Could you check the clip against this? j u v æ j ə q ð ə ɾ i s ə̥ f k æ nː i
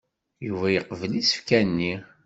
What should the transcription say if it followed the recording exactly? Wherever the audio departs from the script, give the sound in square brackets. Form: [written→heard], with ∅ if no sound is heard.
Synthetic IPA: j u v æ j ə q [ð→v] ə [ɾ→l] i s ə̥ f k æ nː i